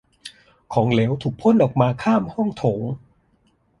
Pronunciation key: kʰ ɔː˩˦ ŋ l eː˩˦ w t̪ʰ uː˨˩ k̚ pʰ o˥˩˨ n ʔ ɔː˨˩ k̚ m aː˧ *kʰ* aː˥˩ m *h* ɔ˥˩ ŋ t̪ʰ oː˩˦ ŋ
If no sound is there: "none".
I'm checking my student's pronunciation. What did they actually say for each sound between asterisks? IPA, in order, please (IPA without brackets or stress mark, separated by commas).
kʰ, h